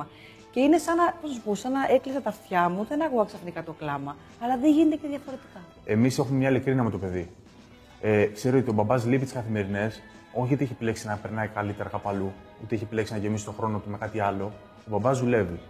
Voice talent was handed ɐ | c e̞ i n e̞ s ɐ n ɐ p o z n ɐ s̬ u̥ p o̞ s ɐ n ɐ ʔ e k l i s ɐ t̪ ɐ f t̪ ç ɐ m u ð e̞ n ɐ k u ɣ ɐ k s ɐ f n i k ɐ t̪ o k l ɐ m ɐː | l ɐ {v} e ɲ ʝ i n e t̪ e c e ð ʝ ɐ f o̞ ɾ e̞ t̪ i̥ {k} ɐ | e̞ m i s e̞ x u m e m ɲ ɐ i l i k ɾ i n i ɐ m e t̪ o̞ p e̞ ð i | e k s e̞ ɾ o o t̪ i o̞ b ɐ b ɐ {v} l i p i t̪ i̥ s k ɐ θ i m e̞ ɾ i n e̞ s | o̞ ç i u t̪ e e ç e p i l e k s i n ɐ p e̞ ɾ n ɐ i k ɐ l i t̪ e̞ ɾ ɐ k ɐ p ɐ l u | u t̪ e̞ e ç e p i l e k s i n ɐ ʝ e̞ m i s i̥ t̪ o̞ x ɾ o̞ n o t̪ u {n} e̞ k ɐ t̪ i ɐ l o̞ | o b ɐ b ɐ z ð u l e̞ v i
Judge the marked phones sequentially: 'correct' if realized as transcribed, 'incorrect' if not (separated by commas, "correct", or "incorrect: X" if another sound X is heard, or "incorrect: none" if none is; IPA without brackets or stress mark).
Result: incorrect: ð, correct, incorrect: z, incorrect: m